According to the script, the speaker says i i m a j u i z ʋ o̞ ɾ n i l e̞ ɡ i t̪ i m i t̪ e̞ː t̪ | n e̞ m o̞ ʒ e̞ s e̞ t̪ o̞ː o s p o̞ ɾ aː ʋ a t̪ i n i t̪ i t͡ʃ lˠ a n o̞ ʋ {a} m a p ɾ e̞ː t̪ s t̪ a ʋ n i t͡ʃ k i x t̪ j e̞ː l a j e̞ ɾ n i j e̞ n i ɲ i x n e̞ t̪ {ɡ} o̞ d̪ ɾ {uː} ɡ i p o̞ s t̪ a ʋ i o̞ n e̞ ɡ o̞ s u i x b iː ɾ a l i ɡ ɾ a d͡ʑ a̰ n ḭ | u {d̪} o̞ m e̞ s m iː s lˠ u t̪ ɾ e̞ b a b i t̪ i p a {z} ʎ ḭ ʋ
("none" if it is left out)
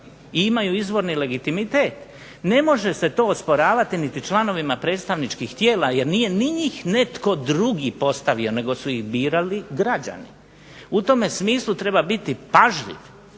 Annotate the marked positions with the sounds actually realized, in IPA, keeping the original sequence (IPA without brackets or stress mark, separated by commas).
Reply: i, k, u, t̪, ʒ